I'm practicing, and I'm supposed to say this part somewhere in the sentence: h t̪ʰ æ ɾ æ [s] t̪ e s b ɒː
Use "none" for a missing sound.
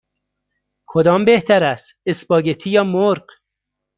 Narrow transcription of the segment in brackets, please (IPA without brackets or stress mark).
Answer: s